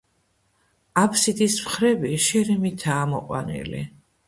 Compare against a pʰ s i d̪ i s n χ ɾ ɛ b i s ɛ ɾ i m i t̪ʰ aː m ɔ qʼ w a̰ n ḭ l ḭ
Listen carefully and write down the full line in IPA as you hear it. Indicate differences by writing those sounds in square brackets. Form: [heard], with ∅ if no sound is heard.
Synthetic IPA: a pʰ s i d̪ i s [m] χ ɾ ɛ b i [ʃ] ɛ ɾ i m i t̪ʰ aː m ɔ qʼ w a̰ n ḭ l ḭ